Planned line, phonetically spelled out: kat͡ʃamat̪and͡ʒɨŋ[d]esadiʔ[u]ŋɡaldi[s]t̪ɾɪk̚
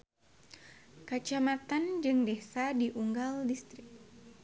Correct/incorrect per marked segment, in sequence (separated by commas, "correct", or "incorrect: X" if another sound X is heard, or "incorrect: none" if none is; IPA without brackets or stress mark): correct, correct, correct